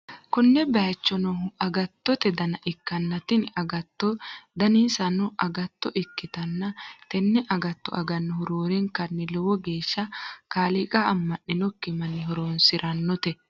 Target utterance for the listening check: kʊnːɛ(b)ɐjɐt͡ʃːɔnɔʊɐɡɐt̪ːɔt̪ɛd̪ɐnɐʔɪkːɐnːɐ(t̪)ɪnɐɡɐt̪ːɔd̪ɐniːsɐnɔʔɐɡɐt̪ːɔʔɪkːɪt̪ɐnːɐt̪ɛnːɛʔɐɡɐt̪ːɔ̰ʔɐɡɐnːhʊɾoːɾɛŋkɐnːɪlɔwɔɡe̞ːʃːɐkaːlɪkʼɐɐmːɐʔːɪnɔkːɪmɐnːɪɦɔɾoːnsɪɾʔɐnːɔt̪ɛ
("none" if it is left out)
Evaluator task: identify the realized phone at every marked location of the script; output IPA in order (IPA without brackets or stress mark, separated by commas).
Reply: b, t̪